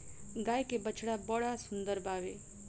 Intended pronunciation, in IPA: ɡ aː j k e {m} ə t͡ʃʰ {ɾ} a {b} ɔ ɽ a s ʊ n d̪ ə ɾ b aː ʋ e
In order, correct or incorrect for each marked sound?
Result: incorrect, incorrect, correct

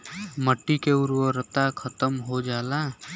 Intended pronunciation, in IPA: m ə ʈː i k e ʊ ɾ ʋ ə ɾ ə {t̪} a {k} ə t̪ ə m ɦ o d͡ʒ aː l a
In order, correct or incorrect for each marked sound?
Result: correct, incorrect

